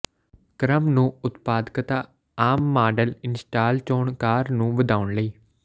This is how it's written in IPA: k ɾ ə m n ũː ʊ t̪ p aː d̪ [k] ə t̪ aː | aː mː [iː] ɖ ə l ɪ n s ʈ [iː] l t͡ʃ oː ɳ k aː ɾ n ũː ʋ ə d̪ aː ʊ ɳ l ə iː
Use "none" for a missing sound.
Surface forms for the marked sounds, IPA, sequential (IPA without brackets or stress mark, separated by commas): k, aː, aː